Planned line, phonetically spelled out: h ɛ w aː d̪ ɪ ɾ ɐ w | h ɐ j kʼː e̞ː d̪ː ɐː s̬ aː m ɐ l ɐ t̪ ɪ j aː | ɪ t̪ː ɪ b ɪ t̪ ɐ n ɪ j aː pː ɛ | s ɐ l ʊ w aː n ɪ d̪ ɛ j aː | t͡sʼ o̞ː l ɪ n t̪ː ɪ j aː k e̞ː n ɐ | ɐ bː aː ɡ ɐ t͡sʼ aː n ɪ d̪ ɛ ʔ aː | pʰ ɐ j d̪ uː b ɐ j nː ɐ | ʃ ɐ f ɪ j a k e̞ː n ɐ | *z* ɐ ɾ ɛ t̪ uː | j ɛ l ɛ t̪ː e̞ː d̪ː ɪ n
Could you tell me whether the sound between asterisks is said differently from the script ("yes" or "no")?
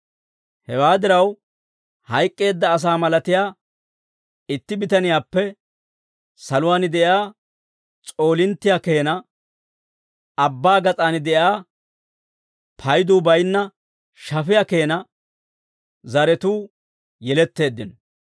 no